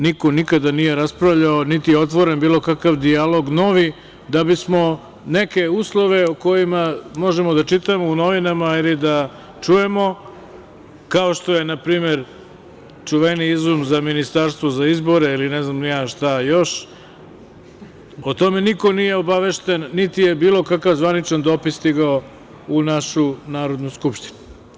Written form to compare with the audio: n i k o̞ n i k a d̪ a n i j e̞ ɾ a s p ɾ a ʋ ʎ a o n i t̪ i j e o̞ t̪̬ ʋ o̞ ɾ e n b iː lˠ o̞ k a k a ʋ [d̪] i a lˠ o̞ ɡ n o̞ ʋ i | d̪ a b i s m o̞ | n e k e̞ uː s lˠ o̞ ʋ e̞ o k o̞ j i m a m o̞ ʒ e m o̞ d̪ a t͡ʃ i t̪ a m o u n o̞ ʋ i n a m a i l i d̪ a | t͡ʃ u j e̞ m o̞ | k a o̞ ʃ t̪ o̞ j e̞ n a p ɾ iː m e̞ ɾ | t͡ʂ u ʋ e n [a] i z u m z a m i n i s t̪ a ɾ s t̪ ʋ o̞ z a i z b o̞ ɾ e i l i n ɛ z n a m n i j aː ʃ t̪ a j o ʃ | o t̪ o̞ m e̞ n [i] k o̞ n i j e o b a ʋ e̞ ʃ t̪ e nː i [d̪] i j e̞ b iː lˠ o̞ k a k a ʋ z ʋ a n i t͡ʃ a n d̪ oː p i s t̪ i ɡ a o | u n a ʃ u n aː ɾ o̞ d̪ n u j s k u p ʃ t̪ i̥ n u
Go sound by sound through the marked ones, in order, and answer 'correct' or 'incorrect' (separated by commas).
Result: correct, incorrect, correct, incorrect